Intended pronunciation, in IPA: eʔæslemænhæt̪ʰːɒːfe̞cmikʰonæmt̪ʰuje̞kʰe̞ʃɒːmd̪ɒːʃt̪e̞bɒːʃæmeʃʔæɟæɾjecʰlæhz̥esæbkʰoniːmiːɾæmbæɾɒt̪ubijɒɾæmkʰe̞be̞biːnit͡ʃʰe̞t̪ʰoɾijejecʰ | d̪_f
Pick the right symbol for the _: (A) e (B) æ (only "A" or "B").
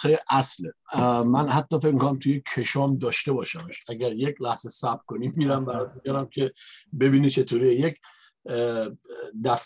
B